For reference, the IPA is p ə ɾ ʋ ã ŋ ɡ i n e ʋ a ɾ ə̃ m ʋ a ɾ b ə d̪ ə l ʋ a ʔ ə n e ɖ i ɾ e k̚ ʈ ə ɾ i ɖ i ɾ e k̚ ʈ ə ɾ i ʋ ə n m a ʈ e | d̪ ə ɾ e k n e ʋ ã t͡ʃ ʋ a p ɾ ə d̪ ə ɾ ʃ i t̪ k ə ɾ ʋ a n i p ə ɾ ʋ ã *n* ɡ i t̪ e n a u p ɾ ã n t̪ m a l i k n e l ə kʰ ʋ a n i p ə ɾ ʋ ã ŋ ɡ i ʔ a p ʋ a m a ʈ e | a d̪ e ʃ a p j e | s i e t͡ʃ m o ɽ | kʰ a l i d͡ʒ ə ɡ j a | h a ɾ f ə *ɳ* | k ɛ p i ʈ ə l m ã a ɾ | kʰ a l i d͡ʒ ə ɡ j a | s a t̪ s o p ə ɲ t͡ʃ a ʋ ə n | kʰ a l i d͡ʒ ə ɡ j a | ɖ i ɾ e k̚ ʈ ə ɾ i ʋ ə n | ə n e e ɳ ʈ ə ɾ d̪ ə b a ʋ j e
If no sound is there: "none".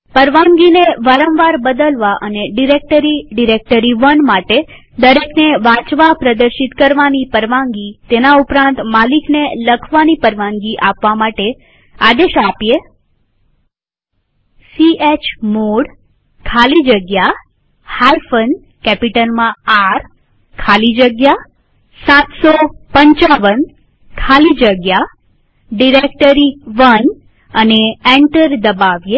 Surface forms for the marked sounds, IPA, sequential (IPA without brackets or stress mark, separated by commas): ŋ, n